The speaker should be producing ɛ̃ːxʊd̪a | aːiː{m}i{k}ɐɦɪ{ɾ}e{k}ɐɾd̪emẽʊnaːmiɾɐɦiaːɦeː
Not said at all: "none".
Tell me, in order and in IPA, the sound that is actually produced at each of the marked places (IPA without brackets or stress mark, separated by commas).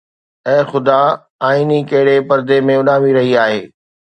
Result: n, k, ɽ, p